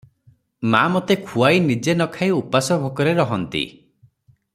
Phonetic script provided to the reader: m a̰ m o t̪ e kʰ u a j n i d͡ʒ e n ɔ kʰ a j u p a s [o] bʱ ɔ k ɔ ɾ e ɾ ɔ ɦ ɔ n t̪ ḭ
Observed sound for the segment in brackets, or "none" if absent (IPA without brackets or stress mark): ɔ